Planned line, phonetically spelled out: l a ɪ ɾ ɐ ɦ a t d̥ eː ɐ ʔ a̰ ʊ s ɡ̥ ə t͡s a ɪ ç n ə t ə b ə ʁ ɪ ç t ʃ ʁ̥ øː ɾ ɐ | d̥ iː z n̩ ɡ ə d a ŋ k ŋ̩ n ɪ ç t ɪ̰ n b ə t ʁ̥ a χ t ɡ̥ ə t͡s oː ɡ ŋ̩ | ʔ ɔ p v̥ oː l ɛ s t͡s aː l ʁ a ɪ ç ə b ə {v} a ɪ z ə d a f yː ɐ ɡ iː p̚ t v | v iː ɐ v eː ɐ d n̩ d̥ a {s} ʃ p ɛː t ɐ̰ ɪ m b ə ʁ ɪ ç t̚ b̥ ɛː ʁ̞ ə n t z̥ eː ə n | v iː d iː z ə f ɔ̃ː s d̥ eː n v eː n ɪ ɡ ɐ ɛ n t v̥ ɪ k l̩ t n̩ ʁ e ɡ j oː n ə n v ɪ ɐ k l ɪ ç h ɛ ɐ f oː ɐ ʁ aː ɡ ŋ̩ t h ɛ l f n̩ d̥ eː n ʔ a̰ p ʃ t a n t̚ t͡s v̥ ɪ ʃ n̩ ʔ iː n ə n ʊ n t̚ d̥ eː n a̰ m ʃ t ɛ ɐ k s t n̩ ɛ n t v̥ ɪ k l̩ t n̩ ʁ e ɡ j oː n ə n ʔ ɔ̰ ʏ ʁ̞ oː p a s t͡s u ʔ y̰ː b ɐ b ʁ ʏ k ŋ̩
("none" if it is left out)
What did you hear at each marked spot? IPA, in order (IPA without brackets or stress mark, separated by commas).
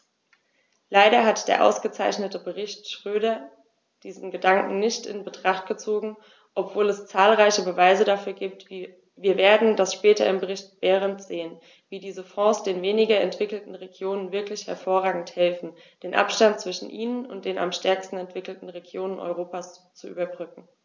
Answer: v, s